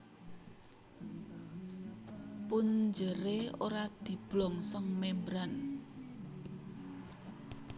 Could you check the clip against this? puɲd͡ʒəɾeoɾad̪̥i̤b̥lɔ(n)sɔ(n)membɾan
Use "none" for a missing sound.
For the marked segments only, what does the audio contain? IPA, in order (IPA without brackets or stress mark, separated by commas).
ŋ, ŋ